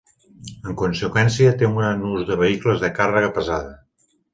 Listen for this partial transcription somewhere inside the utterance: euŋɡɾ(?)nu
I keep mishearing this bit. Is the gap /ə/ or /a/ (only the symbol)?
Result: a